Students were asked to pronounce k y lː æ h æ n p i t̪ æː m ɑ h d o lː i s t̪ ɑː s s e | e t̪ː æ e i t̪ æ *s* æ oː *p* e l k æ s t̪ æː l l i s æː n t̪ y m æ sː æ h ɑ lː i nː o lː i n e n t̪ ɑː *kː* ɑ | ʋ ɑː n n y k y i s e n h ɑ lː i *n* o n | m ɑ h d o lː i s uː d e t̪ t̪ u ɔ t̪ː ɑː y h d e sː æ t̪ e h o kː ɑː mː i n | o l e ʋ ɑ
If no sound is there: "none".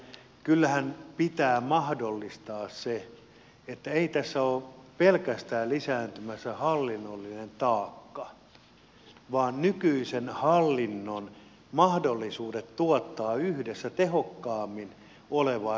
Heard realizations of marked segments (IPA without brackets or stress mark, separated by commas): sː, p, kː, nː